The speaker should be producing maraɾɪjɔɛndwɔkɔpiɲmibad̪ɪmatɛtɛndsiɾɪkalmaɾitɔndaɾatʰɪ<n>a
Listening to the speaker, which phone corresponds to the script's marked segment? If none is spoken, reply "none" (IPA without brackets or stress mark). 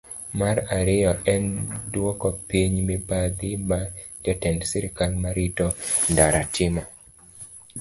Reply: m